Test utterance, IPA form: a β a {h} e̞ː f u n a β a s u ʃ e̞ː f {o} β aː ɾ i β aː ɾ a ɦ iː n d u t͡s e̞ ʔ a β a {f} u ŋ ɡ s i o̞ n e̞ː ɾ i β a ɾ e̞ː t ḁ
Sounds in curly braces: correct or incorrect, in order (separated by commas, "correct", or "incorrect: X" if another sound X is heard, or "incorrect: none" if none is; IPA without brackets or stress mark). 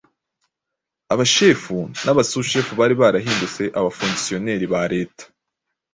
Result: incorrect: ʃ, incorrect: u, correct